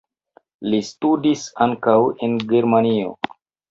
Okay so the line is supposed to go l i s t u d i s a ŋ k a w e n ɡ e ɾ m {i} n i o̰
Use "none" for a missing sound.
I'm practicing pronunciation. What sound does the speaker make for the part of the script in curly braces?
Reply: a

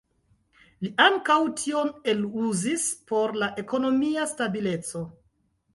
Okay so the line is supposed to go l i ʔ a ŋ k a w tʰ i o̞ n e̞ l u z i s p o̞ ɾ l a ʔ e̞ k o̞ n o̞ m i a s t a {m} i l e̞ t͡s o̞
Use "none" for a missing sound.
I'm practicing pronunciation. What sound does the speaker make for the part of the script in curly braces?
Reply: b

